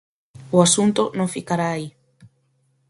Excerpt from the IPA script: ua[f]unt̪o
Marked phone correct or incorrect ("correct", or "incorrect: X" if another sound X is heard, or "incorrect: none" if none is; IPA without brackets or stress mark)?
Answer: incorrect: s